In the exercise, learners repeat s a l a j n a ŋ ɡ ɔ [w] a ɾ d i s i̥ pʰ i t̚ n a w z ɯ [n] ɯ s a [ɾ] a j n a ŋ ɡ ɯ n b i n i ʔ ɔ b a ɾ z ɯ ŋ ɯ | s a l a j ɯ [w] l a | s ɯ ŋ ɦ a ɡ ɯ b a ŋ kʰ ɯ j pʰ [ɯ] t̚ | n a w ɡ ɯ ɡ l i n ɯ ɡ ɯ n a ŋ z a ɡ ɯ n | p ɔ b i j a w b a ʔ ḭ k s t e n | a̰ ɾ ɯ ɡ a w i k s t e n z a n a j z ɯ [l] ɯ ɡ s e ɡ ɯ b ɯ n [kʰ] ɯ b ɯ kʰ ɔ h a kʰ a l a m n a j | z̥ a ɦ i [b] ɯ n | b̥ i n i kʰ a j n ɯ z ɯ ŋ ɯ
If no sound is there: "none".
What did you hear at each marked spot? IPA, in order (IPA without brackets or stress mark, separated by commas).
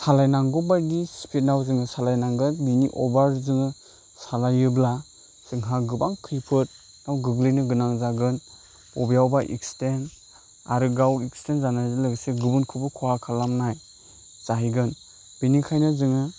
b, ŋ, l, b, ɯ, l, kʰ, ɡ